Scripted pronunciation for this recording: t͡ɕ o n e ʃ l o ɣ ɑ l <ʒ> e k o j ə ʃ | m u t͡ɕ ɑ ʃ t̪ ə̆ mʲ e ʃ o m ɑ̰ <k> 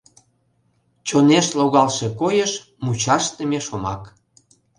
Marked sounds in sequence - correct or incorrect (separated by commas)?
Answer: incorrect, correct